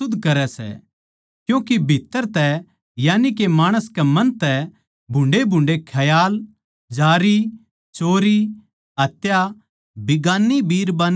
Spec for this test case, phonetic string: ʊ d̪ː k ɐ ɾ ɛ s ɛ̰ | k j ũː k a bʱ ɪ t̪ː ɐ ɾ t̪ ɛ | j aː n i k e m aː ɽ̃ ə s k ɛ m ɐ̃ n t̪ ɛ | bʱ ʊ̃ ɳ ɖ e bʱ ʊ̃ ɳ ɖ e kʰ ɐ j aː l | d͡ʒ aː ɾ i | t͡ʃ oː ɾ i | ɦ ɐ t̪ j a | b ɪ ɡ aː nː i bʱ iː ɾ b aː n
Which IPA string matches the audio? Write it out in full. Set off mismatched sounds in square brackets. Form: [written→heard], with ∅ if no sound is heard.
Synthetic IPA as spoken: ʊ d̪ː k ɐ ɾ ɛ s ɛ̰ | k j ũː k [a→i] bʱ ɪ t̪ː [ɐ→ə] ɾ t̪ ɛ | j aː n i k e m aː ɽ̃ ə s k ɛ m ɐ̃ n t̪ ɛ | bʱ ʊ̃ ɳ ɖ e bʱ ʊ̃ ɳ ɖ e kʰ ɐ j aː l | d͡ʒ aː ɾ i | t͡ʃ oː ɾ i | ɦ ɐ t̪ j a | b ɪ ɡ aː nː i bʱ iː ɾ b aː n